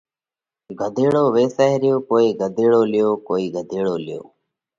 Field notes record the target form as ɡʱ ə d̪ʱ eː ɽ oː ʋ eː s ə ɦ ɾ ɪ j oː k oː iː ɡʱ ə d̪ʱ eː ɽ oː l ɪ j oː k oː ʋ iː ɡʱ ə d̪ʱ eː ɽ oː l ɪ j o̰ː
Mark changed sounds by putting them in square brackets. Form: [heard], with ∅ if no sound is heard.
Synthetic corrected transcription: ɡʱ ə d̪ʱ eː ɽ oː ʋ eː s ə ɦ ɾ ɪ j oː k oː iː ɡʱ ə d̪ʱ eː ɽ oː l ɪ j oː k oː [∅] iː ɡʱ ə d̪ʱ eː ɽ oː l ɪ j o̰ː